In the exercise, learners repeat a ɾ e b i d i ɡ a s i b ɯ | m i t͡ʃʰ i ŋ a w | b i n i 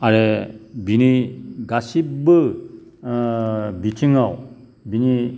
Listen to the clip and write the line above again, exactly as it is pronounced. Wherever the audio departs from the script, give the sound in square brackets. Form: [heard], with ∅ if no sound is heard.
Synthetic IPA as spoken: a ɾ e b i [n] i ɡ a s i b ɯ | [b] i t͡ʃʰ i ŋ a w | b i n i